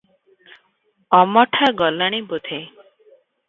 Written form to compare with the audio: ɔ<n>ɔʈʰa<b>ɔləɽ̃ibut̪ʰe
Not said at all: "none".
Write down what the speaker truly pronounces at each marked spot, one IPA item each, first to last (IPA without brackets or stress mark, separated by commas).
m, ɡ